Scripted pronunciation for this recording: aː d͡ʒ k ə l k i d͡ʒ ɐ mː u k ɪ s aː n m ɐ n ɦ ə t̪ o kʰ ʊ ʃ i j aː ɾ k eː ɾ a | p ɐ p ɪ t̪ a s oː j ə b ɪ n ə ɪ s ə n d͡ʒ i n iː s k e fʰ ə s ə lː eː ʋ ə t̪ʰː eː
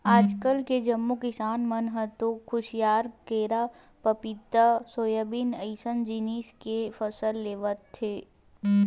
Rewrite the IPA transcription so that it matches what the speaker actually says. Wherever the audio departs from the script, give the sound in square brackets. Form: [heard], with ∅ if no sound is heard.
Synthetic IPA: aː d͡ʒ k ə l k [e] d͡ʒ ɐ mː u k ɪ s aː n m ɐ n ɦ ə t̪ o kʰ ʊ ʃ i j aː ɾ k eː ɾ a | p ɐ p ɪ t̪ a s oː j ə b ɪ n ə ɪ s ə n d͡ʒ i n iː s k e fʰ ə s ə lː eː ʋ ə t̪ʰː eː